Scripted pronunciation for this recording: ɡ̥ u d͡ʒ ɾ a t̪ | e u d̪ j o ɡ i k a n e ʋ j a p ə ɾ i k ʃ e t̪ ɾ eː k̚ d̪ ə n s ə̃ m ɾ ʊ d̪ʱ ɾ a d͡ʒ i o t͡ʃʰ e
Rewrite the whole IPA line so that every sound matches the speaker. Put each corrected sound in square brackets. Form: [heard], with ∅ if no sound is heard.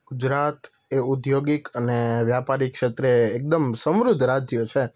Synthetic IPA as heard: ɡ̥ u d͡ʒ ɾ a t̪ | e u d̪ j o ɡ i k [ə] n e ʋ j a p [a] ɾ i k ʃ e t̪ ɾ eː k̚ d̪ ə [m] s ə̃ m ɾ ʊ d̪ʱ ɾ a d͡ʒ [j] o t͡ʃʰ e